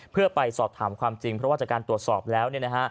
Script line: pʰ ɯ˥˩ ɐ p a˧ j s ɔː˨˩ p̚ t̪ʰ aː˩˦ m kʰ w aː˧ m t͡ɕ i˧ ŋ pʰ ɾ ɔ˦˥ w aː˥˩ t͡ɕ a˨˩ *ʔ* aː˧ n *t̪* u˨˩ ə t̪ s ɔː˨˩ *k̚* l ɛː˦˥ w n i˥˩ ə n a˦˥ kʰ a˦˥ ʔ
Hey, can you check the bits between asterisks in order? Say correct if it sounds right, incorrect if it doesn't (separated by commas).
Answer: incorrect, correct, incorrect